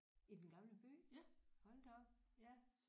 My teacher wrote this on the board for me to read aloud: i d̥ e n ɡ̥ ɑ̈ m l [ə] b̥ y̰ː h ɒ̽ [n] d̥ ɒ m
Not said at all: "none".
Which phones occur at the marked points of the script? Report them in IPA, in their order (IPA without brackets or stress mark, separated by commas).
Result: ə, n